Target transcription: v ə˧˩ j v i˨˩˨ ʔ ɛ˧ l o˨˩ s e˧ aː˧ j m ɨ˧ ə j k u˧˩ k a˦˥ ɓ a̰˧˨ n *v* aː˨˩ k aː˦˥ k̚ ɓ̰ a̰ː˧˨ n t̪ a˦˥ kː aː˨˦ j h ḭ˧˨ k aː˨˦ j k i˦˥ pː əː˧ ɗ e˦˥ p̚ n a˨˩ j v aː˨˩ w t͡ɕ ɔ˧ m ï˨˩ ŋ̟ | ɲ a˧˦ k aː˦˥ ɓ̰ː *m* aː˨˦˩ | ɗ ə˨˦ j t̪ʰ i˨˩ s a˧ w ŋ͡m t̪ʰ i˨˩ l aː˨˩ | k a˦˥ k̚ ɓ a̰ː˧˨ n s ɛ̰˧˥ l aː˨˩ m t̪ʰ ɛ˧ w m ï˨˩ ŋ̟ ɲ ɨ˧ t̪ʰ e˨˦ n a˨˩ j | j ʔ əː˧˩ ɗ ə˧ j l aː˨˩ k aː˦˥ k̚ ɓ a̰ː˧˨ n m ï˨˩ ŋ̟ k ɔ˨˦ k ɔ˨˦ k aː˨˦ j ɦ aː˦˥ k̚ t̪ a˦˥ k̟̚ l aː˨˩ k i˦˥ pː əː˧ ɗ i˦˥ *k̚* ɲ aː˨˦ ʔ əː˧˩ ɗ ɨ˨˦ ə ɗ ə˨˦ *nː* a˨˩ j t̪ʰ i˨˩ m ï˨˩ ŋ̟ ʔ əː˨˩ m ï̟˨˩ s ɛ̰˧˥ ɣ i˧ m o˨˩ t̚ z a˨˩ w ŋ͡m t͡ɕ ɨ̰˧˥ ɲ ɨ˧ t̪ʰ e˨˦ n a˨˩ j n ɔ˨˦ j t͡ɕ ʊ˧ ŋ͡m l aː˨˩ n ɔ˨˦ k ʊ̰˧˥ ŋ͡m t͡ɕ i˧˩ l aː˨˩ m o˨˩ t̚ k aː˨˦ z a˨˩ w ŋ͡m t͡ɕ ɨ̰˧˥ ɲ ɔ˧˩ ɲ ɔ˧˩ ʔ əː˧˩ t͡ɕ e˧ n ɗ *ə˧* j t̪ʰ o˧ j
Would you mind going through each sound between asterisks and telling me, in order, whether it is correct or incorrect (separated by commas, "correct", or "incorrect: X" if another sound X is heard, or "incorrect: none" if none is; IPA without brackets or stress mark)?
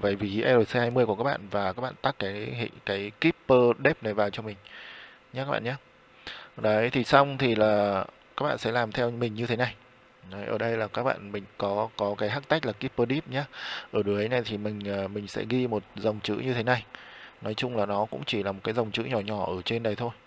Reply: correct, incorrect: ɲ, incorrect: p̚, incorrect: n, incorrect: ə˨˩